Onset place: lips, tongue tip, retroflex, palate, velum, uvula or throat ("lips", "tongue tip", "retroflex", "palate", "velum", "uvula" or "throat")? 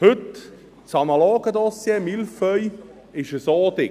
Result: throat